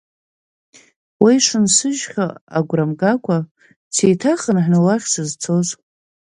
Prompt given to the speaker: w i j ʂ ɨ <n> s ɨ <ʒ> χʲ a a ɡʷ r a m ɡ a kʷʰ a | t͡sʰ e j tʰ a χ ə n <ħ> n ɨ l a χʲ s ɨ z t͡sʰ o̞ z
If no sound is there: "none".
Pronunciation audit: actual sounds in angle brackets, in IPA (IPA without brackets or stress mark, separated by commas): n, ʒ, ħ